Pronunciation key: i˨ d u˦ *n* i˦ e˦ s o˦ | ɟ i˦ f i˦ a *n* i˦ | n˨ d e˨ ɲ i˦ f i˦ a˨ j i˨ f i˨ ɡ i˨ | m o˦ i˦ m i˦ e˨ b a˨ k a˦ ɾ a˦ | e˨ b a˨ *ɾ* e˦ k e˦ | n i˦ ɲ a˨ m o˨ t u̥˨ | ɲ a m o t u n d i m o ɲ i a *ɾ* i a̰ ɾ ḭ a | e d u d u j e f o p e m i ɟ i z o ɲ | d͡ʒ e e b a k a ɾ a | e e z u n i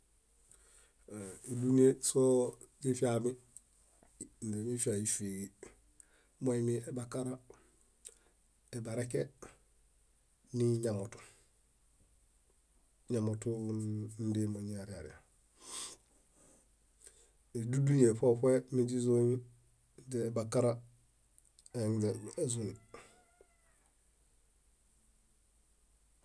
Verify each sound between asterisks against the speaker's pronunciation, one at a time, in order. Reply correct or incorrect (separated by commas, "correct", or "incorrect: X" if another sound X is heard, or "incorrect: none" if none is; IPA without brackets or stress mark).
correct, incorrect: m, correct, correct